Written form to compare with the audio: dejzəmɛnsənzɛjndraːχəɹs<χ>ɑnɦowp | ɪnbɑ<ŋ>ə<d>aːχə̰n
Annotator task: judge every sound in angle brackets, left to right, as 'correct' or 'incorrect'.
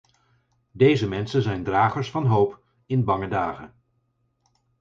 incorrect: f, correct, correct

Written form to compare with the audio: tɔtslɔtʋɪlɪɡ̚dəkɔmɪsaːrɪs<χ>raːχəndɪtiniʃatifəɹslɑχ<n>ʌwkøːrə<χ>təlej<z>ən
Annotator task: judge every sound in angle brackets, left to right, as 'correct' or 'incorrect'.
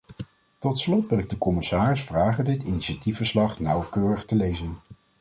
incorrect: f, correct, correct, correct

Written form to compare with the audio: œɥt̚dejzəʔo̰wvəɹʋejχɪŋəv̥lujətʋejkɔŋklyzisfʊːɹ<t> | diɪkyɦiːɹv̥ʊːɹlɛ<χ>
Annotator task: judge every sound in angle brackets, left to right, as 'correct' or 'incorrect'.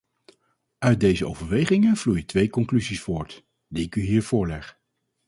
correct, correct

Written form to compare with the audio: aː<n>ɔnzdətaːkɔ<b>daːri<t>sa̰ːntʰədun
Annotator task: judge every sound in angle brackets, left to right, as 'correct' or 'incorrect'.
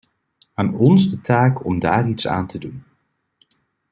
correct, incorrect: m, correct

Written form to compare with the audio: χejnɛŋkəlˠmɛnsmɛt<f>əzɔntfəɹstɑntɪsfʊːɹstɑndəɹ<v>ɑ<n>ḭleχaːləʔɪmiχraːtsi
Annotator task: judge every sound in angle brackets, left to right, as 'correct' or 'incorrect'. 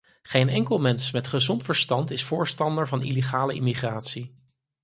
incorrect: χ, correct, correct

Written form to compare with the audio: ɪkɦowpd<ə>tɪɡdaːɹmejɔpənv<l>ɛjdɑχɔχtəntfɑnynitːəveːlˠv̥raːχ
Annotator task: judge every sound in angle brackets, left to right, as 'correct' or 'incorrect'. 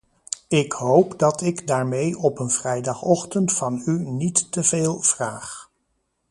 incorrect: ɑ, incorrect: r

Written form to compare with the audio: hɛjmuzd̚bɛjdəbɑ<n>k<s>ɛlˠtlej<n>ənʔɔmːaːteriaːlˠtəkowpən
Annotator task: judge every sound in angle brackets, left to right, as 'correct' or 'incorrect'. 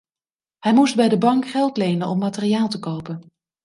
incorrect: ŋ, incorrect: χ, correct

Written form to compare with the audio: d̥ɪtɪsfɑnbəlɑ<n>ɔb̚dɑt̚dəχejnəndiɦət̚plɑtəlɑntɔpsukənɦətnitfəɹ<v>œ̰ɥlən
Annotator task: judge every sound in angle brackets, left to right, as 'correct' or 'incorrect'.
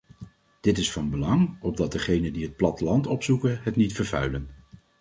incorrect: ŋ, correct

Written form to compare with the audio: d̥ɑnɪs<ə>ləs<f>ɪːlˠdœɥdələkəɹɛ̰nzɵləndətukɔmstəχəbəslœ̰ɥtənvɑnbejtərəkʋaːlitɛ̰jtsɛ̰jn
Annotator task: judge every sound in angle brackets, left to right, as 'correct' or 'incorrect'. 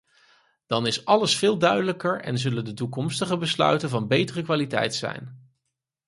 incorrect: ɑ, correct

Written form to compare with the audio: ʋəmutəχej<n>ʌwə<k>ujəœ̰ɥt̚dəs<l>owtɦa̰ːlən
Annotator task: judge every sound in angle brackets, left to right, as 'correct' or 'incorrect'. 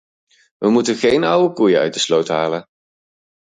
correct, correct, correct

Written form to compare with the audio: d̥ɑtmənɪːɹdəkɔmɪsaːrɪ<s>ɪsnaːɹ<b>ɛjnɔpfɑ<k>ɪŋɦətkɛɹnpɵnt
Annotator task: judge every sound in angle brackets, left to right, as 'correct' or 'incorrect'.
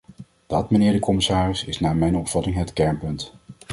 correct, incorrect: m, incorrect: t

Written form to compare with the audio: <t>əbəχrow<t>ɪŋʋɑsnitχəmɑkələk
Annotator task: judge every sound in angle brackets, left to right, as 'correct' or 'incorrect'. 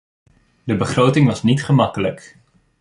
incorrect: d, correct

